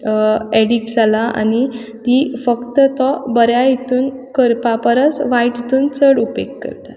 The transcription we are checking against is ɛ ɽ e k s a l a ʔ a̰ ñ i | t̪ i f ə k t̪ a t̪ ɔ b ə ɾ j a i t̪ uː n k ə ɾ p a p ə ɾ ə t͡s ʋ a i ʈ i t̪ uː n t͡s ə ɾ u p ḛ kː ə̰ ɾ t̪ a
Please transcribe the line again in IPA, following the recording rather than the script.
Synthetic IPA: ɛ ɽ i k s a l a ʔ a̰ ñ i | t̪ i f ə k t̪ ə t̪ ɔ b ə ɾ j a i t̪ uː n k ə ɾ p a p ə ɾ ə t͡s ʋ a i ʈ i t̪ uː n t͡s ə ɽ u p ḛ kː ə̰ ɾ t̪ a